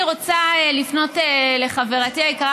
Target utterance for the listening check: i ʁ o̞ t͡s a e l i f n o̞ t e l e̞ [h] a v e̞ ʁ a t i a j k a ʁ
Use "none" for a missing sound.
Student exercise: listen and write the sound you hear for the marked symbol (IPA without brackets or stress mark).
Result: χ